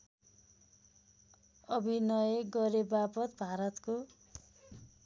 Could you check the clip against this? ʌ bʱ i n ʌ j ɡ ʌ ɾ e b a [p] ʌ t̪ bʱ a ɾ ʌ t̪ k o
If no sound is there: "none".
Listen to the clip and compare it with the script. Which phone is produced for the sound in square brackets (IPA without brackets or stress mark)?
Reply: p